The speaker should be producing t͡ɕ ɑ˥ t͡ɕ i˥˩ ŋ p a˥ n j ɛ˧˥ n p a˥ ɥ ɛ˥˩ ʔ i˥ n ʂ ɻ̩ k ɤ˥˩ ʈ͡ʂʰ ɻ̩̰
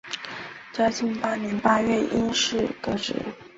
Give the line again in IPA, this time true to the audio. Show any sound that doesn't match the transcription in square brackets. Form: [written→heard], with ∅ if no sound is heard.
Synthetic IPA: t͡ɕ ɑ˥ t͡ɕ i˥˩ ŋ p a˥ n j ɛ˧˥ n p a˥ ɥ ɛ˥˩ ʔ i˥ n ʂ ɻ̩ k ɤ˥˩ [ʈ͡ʂʰ→ʈ͡ʂ] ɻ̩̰